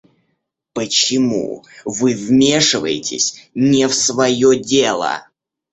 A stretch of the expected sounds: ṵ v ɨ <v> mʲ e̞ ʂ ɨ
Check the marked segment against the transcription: correct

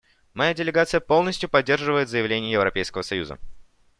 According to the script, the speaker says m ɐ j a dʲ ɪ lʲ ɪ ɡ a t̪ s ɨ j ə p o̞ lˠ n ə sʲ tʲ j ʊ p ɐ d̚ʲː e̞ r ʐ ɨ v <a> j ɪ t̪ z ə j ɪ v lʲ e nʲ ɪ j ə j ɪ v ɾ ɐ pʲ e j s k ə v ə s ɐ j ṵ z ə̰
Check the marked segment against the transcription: incorrect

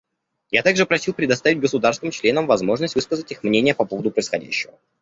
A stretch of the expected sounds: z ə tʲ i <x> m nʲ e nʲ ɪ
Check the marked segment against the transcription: correct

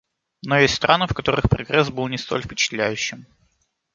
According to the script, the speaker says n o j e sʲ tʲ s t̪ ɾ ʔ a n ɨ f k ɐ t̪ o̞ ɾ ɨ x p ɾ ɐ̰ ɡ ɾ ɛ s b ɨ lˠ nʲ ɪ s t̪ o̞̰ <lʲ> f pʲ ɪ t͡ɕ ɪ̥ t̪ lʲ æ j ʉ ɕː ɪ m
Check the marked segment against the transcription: correct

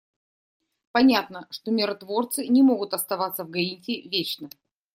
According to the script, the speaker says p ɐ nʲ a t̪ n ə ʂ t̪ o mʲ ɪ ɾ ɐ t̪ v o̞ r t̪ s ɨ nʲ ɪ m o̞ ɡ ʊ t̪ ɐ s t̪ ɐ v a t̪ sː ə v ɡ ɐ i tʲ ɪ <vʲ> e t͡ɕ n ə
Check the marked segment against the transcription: correct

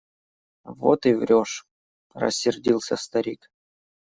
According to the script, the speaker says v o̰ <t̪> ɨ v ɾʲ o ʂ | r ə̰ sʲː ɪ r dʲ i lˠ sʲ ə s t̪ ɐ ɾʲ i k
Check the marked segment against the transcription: correct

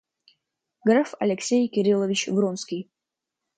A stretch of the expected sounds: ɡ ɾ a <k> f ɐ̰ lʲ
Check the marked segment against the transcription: incorrect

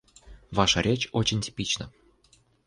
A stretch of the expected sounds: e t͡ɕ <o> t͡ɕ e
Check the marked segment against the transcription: correct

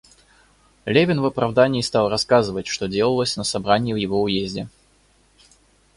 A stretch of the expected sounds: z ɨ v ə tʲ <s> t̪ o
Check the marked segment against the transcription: incorrect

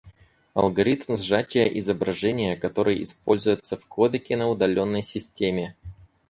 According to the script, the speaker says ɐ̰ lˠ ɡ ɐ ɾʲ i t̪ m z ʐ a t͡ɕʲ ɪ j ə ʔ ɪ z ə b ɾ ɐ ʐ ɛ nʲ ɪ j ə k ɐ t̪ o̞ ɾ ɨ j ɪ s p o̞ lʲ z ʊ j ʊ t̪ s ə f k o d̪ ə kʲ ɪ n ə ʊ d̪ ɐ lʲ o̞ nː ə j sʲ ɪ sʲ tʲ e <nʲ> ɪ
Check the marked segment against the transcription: incorrect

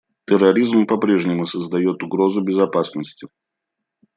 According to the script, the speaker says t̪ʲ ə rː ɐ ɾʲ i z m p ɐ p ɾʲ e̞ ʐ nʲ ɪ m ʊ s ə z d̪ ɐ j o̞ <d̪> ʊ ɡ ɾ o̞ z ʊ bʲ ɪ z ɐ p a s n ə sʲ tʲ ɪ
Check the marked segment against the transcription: incorrect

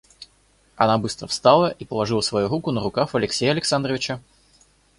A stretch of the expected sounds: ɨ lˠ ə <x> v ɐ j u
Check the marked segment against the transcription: incorrect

